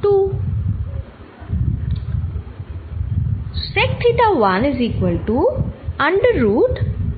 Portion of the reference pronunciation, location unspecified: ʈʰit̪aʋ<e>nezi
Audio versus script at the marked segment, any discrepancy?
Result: yes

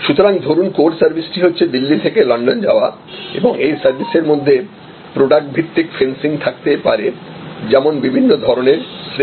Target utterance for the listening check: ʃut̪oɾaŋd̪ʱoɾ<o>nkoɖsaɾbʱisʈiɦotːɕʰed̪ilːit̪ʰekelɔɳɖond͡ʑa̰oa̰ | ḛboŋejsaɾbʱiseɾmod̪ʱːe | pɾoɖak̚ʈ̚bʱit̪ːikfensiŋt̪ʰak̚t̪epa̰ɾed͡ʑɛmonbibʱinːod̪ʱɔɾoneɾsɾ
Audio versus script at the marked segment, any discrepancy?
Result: yes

